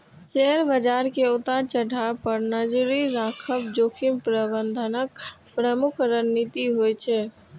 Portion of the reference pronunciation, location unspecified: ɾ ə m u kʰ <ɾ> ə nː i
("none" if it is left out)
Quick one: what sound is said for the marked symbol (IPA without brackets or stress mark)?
ɾ